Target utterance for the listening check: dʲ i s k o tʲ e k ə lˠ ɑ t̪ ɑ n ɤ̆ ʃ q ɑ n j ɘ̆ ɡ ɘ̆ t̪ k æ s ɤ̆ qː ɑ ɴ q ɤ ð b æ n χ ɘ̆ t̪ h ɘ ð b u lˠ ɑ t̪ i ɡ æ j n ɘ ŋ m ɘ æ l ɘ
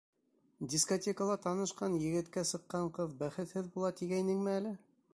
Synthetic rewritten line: dʲ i s k o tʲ e k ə lˠ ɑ t̪ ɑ n ɤ̆ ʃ q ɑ n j ɘ̆ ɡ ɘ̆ t̪ k æ s ɤ̆ qː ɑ ɴ q ɤ ð b æ χ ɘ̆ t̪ h ɘ ð b u lˠ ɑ t̪ i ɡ æ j n ɘ ŋ m ɘ æ l ɘ